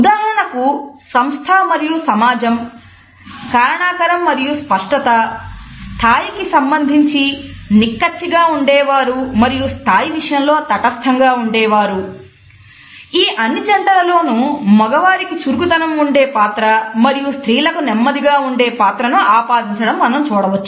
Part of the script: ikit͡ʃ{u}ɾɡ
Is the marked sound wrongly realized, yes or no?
no